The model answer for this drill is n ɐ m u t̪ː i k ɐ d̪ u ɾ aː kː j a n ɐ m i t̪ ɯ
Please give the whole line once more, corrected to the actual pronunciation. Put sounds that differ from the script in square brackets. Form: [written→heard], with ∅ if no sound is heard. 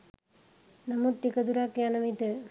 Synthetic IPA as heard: n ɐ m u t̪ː i k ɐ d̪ u ɾ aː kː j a n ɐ m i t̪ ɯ

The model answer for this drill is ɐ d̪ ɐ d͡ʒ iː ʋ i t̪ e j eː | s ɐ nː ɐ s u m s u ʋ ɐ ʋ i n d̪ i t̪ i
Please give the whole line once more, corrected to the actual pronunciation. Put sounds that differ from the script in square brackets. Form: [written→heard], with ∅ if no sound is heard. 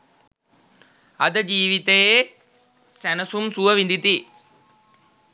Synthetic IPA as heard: ɐ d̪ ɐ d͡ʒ iː ʋ i t̪ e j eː | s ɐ [nː→n] ɐ s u m s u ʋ ɐ ʋ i n d̪ i t̪ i

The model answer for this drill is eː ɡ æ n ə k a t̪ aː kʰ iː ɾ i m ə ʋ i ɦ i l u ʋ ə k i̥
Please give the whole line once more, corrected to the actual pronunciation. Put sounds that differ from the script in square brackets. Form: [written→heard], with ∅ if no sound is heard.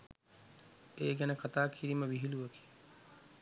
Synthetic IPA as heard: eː ɡ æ n ə k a t̪ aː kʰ [iː→i] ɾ i m ə ʋ i ɦ i l u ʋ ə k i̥

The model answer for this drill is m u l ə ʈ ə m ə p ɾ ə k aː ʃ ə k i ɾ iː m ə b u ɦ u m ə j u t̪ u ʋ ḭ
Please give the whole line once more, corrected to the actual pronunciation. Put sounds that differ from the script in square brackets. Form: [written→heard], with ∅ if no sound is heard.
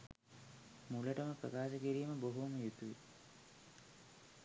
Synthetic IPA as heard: m u l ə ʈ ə m ə p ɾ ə k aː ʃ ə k i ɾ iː m ə b [u→o] ɦ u m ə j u t̪ u ʋ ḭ

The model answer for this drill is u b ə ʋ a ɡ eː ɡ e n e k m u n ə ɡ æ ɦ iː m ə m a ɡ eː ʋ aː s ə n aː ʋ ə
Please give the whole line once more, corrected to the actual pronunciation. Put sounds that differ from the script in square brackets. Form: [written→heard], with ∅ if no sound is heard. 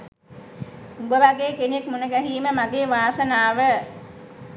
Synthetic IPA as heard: u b ə ʋ a ɡ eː [ɡ→k] e n e k m u n ə ɡ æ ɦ iː m ə m a ɡ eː ʋ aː s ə n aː ʋ ə

